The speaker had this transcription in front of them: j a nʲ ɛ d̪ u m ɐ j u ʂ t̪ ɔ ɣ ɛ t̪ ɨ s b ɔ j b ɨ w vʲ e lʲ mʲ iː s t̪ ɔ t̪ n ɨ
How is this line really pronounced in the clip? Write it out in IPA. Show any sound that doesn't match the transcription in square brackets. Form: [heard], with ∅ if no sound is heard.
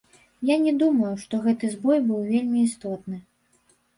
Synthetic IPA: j a nʲ ɛ d̪ u m ɐ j u ʂ t̪ ɔ ɣ ɛ t̪ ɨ [z] b ɔ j b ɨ w vʲ e lʲ mʲ iː s t̪ ɔ t̪ n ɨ